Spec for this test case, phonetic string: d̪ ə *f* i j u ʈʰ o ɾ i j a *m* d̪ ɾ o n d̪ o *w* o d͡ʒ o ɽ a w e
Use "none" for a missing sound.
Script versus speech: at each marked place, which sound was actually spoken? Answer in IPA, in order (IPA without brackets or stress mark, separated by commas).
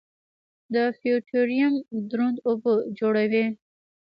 f, m, b